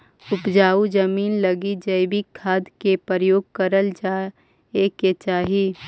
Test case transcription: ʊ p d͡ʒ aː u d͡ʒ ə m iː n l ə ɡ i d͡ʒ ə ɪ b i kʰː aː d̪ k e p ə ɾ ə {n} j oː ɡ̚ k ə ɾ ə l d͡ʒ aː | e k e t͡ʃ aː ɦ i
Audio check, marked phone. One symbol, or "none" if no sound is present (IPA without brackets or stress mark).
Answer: none